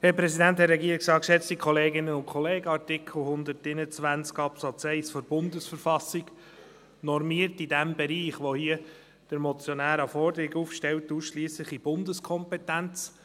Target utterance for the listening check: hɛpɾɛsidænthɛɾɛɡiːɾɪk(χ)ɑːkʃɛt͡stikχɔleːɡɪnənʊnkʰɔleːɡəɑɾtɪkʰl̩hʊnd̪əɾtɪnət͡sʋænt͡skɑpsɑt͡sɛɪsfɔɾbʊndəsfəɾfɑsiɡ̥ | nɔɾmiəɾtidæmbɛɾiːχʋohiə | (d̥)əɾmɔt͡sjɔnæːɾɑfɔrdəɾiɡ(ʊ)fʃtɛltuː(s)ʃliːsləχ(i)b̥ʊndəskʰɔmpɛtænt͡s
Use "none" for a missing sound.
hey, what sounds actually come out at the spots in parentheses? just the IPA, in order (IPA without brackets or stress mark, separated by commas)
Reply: s, d̥, u, s, i